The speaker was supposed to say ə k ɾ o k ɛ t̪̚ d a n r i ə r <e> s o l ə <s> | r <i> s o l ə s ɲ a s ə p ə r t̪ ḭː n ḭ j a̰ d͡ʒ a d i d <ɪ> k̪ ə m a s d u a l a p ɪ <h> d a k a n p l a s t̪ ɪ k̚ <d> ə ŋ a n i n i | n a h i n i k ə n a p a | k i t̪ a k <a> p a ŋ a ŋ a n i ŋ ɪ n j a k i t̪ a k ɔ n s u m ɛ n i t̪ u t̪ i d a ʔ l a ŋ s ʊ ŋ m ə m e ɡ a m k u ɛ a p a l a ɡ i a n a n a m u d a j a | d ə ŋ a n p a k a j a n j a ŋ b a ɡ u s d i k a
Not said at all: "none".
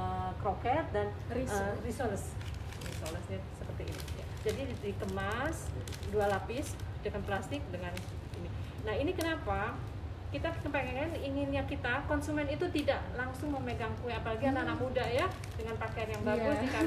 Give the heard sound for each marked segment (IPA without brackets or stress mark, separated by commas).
i, s, i, i, s, d, ə